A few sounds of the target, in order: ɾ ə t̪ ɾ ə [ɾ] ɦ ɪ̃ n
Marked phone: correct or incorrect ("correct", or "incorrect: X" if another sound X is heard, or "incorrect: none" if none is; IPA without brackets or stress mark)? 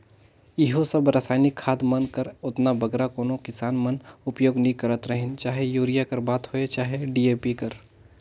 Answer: incorrect: none